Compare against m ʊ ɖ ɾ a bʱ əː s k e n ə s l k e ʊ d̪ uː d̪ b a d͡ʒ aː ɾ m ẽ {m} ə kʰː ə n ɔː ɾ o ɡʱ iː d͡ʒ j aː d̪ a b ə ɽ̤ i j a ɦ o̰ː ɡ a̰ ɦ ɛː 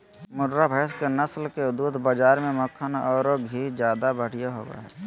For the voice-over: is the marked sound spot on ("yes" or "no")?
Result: yes